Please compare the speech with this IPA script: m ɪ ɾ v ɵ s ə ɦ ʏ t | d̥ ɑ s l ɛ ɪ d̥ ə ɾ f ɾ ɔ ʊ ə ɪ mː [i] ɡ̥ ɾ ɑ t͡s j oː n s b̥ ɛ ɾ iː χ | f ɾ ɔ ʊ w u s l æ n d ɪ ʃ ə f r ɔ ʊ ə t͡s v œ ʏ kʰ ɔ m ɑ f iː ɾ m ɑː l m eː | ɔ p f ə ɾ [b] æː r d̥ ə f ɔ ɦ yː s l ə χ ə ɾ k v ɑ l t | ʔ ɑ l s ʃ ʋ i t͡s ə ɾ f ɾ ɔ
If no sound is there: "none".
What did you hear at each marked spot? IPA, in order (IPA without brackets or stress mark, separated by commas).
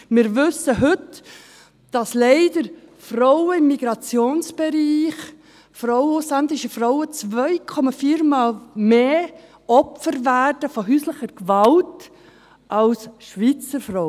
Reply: i, v